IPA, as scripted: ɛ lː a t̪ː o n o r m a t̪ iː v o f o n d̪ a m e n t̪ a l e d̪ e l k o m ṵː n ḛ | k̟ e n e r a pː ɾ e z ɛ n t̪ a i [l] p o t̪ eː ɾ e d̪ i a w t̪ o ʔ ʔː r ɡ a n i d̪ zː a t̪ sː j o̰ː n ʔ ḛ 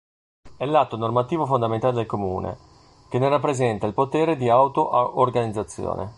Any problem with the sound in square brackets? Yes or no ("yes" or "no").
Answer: no